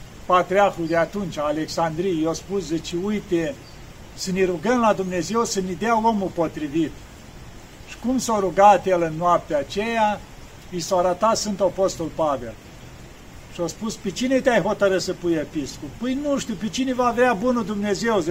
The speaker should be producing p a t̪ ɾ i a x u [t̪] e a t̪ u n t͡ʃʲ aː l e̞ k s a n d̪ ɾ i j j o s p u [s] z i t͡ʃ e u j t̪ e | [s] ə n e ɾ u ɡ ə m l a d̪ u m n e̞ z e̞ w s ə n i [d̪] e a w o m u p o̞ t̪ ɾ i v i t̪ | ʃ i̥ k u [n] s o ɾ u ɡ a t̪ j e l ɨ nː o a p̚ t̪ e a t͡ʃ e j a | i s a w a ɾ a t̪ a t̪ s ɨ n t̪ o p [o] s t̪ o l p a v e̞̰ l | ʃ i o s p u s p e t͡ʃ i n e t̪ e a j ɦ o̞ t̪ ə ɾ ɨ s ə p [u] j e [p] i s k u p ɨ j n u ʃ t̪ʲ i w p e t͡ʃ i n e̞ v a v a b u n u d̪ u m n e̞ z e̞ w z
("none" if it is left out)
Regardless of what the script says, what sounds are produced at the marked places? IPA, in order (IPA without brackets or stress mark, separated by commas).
d̪, s, s, d̪, m, o, u, p